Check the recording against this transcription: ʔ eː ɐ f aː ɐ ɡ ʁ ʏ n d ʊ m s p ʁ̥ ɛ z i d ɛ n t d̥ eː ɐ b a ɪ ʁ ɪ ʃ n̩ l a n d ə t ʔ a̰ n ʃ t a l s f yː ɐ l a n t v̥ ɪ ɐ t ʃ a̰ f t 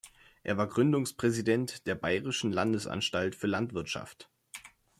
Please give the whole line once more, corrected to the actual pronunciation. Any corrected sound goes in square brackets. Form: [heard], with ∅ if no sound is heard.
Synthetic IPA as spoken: ʔ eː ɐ [v] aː ɐ ɡ ʁ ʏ n d ʊ [ŋ] s p ʁ̥ ɛ z i d ɛ n t d̥ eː ɐ b a ɪ ʁ ɪ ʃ n̩ l a n d ə [s] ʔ a̰ n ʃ t a l [t] f yː ɐ l a n t v̥ ɪ ɐ t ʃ a̰ f t

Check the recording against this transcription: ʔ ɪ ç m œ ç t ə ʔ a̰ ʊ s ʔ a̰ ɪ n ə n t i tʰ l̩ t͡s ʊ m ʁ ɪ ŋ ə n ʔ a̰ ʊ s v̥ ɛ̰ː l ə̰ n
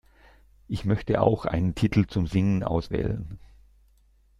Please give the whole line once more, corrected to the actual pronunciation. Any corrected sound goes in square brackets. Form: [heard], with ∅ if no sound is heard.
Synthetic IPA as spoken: ʔ ɪ ç m œ ç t ə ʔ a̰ ʊ [x] ʔ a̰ ɪ n ə n [tʰ] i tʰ l̩ t͡s ʊ m [z] ɪ ŋ ə n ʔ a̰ ʊ s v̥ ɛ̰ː l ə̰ n

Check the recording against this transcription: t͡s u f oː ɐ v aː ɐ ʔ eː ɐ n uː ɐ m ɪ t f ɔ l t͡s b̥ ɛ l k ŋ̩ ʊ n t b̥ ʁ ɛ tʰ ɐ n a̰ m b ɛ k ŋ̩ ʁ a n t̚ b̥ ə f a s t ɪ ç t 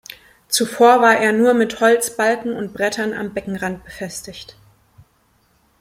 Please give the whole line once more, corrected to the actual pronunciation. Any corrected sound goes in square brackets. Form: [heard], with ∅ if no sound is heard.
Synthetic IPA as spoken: t͡s u f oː ɐ v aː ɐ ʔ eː ɐ n uː ɐ m ɪ t [h] ɔ l t͡s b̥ [a] l k ŋ̩ ʊ n t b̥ ʁ ɛ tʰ ɐ n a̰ m b ɛ k ŋ̩ ʁ a n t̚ b̥ ə f [ɛ] s t ɪ ç t

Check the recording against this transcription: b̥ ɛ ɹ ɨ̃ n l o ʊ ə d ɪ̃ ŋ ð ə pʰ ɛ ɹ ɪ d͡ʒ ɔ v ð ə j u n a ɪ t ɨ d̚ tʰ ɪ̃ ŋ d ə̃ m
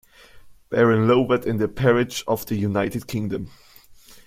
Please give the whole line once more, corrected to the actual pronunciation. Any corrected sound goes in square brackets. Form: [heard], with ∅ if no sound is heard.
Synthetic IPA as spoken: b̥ ɛ ɹ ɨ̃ n l o ʊ ə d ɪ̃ [n] ð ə pʰ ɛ ɹ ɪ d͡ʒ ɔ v ð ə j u n a ɪ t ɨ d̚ [kʰ] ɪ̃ ŋ d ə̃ m

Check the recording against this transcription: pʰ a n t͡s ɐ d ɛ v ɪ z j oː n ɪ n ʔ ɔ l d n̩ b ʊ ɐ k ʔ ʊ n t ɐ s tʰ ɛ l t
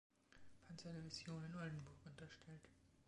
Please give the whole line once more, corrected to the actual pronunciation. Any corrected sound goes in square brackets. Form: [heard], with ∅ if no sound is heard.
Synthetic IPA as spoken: pʰ a n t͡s ɐ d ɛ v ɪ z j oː n ɪ n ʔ ɔ l d n̩ b ʊ ɐ k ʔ ʊ n t ɐ [ʃ] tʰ ɛ l t

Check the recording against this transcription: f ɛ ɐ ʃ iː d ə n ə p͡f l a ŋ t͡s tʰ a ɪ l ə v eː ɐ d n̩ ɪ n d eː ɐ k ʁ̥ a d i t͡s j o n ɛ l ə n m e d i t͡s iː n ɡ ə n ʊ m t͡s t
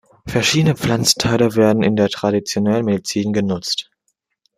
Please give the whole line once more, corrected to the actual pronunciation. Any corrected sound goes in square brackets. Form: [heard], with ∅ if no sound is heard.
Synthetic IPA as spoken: f ɛ ɐ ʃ iː d ə n ə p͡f l a [n] t͡s tʰ a ɪ l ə v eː ɐ d n̩ ɪ n d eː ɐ [t] ʁ̥ a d i t͡s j o n ɛ l ə n m e d i t͡s iː n ɡ ə n ʊ [∅] t͡s t

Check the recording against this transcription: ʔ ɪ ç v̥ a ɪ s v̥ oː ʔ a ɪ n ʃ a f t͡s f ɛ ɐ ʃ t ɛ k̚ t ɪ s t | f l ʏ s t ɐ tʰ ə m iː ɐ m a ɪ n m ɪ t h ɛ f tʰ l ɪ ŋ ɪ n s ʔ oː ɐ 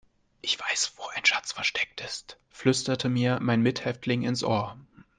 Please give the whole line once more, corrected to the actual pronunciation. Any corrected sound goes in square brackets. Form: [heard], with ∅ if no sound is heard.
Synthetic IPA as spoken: ʔ ɪ ç v̥ a ɪ s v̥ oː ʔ a ɪ n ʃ a [∅] t͡s f ɛ ɐ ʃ t ɛ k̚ t ɪ s t | f l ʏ s t ɐ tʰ ə m iː ɐ m a ɪ n m ɪ t h ɛ f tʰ l ɪ ŋ ɪ n s ʔ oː ɐ

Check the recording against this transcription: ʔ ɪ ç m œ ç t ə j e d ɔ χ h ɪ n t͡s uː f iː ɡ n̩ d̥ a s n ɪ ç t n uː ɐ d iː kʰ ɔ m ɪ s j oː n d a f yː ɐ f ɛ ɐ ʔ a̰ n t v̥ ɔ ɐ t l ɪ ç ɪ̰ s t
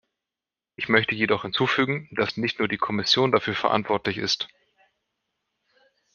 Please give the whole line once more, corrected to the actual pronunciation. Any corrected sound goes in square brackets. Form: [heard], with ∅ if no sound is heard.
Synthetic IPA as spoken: ʔ ɪ ç m œ ç t ə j e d ɔ χ h ɪ n t͡s uː f [yː] ɡ [ŋ̩] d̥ a s n ɪ ç t n uː ɐ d iː kʰ ɔ m ɪ s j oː n d a f yː ɐ f ɛ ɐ ʔ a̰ n t v̥ ɔ ɐ t l ɪ ç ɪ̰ s t

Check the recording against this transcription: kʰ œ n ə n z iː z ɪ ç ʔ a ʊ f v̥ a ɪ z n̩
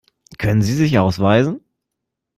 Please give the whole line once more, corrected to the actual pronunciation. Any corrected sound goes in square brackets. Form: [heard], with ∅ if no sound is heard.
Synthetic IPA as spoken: kʰ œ n ə n z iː z ɪ ç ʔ a ʊ [s] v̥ a ɪ z n̩

